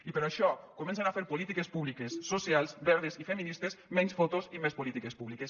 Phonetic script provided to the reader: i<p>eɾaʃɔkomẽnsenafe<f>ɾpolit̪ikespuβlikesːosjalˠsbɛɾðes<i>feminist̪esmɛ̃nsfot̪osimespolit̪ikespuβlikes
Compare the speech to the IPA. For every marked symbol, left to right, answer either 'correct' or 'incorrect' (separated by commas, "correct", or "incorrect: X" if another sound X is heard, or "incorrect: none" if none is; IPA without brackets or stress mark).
correct, incorrect: none, correct